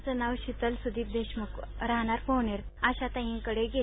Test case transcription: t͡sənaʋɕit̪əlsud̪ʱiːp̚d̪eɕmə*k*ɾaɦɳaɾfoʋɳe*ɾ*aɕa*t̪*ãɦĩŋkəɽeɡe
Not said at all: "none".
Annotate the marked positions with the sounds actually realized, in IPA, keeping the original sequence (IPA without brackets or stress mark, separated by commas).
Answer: k, ɾ, t̪